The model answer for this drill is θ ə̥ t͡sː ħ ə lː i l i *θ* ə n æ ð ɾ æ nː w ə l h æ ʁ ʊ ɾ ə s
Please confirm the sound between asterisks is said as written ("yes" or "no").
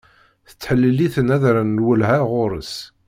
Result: yes